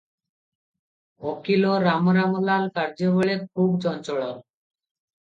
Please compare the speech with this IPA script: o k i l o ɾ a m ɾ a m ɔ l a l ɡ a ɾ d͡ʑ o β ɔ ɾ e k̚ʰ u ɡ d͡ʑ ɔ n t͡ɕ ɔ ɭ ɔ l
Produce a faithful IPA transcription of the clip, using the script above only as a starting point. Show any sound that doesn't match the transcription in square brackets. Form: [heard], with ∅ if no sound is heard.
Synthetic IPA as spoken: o k i l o ɾ a m ɾ a m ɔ l a l [k] a ɾ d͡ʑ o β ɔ [ɭ] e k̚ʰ u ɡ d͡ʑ ɔ n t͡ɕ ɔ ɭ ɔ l